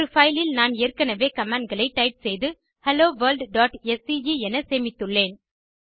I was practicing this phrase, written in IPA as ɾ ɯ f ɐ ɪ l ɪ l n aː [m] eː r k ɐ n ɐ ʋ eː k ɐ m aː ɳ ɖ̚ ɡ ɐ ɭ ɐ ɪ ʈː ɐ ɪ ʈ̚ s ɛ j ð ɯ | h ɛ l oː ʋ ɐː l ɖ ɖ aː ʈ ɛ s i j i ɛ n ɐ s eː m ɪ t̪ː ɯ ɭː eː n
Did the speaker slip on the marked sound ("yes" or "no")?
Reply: yes